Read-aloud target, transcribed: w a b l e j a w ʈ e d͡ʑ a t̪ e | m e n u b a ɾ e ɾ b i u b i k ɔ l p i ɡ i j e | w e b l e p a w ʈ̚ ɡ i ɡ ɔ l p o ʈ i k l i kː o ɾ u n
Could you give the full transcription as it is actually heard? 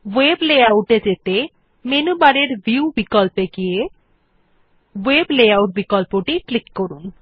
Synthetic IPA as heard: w e b l e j a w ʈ e d͡ʑ e t̪ e | m e n u b a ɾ e ɾ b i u b i k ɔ l p e ɡ i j e | w e b l e a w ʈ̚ b i k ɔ l p o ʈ i k l i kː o ɾ u n